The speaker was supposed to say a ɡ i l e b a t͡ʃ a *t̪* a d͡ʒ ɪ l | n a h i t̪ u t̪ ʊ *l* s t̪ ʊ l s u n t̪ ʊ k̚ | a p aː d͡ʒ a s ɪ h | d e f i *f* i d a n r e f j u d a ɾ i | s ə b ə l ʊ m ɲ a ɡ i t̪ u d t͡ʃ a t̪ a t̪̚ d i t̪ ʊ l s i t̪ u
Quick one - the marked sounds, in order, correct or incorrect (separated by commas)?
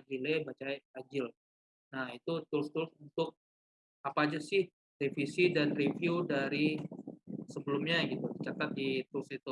incorrect, correct, incorrect